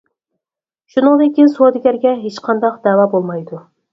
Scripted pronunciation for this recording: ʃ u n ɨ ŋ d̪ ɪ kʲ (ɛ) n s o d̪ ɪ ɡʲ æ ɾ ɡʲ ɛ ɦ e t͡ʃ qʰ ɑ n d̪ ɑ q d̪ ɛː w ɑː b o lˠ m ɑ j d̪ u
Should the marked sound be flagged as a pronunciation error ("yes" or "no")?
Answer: yes